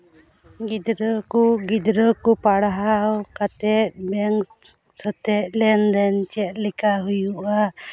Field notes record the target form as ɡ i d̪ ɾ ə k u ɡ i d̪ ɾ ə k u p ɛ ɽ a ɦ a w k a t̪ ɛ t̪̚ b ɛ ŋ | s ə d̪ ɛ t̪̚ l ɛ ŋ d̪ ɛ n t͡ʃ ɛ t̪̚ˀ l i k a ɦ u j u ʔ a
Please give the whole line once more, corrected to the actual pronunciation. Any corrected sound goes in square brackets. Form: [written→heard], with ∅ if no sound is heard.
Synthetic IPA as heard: ɡ i d̪ ɾ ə k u ɡ i d̪ ɾ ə k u p [ɛ→a] ɽ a ɦ a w k a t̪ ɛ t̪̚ b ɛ ŋ | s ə [d̪→t̪] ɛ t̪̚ l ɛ [ŋ→n] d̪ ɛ n t͡ʃ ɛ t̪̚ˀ l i k a ɦ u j u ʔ a